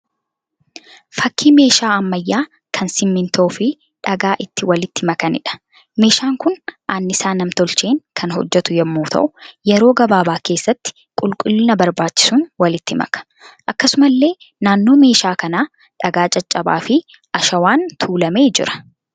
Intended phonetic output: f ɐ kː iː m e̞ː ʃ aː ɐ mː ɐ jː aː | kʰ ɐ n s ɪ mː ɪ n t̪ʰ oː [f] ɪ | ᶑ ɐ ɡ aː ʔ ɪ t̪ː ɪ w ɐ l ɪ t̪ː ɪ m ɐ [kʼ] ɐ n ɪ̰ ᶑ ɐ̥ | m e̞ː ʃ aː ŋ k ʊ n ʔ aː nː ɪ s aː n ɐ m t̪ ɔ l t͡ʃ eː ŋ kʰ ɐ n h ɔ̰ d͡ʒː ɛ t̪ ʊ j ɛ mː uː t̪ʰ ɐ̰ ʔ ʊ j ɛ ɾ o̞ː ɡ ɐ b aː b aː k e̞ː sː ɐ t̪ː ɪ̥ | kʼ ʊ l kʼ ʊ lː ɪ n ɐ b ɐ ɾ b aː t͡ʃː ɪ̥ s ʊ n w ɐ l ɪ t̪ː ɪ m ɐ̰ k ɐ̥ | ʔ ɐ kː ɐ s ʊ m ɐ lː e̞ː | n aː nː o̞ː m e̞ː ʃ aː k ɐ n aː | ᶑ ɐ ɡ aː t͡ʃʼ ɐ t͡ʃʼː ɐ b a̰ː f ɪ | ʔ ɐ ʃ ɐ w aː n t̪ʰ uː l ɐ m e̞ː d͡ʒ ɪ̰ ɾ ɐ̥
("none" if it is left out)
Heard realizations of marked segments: f, k

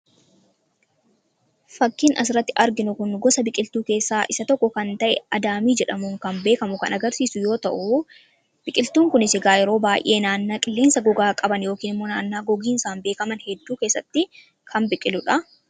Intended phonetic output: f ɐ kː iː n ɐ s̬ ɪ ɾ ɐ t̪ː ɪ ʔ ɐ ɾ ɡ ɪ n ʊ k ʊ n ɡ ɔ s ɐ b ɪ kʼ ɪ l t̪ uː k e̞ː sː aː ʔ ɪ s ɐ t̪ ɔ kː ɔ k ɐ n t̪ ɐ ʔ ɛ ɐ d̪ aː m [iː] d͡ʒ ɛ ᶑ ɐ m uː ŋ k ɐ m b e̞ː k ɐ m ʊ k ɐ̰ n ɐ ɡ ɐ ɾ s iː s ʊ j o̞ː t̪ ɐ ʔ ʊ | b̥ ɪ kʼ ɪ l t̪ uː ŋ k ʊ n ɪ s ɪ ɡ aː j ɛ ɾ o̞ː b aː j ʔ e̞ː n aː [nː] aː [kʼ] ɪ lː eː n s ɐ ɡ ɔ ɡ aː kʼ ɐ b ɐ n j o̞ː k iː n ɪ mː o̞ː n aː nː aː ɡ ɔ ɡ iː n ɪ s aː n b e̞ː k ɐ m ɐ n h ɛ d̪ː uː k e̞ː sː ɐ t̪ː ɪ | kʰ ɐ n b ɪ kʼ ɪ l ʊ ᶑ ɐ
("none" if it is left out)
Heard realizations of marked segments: iː, nː, kʼ

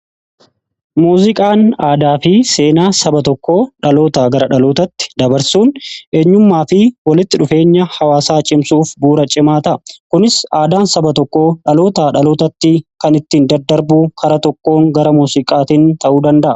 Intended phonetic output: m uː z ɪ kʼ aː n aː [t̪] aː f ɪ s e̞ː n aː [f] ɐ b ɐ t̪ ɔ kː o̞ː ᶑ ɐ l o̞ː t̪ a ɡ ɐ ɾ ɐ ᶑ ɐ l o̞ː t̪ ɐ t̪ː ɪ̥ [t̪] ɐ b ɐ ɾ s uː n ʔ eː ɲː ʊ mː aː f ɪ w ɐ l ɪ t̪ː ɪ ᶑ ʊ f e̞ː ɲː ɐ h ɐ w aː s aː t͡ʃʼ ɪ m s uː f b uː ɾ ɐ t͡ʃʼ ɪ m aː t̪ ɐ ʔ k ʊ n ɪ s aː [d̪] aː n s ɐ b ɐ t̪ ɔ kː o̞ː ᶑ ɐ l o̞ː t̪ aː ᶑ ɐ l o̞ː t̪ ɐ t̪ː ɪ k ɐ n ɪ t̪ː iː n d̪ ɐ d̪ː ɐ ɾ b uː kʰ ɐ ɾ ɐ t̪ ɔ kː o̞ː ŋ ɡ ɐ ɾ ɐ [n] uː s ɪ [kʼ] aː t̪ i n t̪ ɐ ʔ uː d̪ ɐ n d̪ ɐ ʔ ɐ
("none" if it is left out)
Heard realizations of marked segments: d̪, s, d̪, d̪, m, kʼ

